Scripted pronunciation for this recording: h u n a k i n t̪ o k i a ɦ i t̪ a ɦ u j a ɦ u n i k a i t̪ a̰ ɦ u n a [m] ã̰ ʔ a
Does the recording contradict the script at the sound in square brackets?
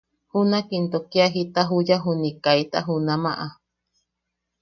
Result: no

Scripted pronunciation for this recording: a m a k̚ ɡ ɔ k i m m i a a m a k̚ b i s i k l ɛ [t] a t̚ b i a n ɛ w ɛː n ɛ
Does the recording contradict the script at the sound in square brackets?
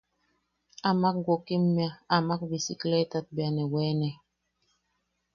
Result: no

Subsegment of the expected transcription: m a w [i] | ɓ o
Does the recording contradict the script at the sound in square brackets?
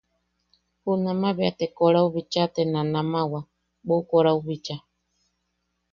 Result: yes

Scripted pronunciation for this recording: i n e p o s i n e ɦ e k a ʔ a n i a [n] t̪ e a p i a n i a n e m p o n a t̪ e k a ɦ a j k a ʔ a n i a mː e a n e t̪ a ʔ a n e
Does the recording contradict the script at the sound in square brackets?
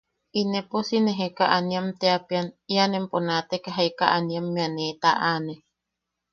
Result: yes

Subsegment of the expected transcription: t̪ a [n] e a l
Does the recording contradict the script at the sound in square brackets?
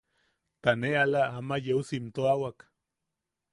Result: no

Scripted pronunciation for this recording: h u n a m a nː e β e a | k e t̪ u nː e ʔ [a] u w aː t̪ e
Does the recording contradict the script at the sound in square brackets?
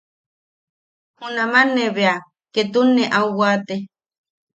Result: no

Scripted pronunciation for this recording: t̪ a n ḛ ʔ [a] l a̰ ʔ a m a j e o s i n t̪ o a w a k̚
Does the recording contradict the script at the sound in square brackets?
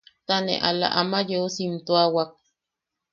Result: no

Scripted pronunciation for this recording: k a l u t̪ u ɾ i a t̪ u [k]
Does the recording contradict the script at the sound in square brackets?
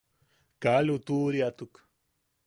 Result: no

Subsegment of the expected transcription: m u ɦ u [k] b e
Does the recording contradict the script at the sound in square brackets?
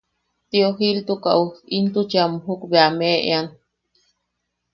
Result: no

